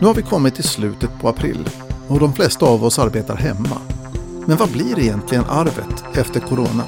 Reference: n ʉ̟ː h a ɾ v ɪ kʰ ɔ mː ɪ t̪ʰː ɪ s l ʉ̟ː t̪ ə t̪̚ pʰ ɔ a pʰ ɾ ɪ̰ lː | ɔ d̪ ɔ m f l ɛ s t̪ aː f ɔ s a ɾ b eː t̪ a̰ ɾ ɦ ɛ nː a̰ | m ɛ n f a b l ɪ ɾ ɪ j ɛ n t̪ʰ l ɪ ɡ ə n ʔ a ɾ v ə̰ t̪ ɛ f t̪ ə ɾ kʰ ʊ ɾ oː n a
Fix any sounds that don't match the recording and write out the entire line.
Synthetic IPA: n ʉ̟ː h a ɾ v ɪ kʰ ɔ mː ɪ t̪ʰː ɪ s l ʉ̟ː t̪ ə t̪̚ pʰ ɔ a pʰ ɾ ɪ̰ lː | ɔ d̪ ɔ m f l ɛ s t̪ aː v ɔ s a ɾ b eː t̪ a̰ ɾ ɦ ɛ mː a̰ | m ɛ n v a b l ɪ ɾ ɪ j ɛ n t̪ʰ l ɪ ɡ ə n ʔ a ɾ v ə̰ t̪ ɛ f t̪ ə ɾ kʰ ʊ ɾ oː n a